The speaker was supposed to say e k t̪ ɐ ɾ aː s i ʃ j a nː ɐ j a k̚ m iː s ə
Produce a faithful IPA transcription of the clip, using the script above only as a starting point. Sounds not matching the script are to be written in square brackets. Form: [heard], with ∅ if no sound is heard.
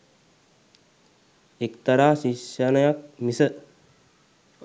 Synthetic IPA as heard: e k t̪ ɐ ɾ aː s i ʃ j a [n] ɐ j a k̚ m [i] s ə